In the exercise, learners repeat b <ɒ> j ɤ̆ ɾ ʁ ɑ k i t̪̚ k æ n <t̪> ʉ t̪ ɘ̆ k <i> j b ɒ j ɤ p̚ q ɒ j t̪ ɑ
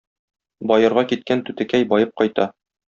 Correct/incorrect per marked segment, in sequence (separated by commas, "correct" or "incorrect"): correct, correct, incorrect